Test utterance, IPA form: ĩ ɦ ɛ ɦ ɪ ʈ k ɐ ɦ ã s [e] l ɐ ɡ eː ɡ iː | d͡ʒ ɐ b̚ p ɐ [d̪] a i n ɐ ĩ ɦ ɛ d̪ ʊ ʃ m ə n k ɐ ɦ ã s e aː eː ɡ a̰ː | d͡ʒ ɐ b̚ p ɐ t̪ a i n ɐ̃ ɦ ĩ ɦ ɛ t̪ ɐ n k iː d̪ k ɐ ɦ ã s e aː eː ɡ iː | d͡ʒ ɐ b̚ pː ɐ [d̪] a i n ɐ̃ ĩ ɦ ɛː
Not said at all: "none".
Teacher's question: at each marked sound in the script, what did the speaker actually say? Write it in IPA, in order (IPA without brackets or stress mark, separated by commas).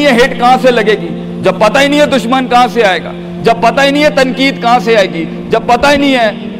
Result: e, t̪, t̪